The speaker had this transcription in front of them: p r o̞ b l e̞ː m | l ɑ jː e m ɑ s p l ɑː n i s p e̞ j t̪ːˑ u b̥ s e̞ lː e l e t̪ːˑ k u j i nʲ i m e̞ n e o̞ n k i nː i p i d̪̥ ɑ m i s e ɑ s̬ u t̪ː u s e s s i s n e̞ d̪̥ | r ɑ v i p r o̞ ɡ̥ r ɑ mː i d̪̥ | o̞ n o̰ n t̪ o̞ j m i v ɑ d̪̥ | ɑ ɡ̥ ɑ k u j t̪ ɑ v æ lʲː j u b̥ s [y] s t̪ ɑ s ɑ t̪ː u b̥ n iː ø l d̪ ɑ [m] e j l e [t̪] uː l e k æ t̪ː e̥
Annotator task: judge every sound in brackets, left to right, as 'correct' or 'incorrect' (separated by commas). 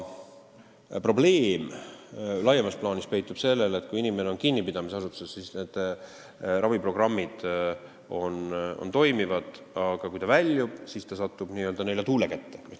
incorrect, incorrect, correct